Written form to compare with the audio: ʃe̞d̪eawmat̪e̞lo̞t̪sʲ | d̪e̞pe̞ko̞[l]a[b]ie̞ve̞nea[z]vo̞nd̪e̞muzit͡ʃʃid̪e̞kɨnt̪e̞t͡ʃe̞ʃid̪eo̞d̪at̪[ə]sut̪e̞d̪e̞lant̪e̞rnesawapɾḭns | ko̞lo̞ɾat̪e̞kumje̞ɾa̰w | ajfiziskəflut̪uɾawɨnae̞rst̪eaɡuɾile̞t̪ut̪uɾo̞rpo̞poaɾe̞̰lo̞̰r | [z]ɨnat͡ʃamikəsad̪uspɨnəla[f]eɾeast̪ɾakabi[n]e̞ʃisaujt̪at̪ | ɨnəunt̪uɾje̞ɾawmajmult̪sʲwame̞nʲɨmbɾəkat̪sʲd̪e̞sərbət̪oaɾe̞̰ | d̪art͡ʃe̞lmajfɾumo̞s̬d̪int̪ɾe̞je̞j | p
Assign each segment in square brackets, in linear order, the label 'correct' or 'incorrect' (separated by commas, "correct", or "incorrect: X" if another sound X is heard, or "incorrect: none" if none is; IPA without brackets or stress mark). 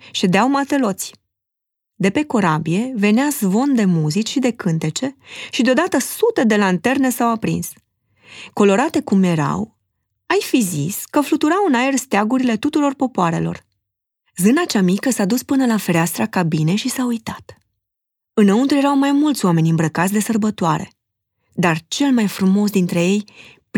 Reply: incorrect: ɾ, correct, correct, correct, correct, correct, correct